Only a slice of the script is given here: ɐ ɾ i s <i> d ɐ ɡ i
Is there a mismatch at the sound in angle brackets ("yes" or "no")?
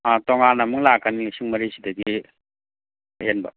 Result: no